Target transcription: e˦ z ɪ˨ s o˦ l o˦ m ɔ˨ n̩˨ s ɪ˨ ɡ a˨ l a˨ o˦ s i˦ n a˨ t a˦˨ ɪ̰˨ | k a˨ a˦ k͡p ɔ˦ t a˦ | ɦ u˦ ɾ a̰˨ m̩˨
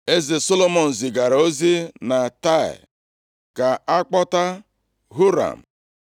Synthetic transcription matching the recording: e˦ z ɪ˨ s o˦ l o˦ m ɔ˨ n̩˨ z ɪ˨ ɡ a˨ ɾ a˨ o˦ z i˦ n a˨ t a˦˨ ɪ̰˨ | k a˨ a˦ k͡p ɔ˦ t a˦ | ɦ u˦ ɾ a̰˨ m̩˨